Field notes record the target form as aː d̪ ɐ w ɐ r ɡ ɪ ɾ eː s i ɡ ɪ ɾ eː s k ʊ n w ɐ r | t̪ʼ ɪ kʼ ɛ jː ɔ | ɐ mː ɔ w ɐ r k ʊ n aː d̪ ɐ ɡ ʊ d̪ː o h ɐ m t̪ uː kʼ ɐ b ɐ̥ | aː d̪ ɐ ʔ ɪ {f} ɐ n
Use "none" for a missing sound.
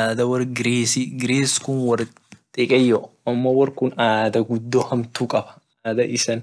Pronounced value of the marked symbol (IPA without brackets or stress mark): s